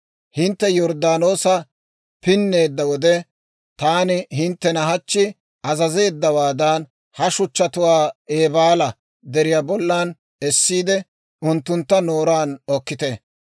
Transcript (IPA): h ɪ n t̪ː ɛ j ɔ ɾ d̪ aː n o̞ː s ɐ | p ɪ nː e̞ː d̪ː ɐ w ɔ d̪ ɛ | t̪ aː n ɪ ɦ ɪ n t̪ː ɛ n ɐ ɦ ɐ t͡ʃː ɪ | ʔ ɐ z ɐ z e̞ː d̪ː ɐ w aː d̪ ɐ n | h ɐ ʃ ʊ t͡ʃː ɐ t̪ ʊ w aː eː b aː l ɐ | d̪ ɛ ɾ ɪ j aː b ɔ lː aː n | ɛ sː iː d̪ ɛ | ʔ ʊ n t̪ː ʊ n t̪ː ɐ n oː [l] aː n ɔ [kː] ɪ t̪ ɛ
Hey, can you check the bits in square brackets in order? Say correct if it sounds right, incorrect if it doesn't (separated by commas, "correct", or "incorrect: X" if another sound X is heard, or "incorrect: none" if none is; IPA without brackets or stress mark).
incorrect: ɾ, correct